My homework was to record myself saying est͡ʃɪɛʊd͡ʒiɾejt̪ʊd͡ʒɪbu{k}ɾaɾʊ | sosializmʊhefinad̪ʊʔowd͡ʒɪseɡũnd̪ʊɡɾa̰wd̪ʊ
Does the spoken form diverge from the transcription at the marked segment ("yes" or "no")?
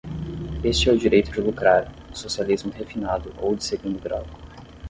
no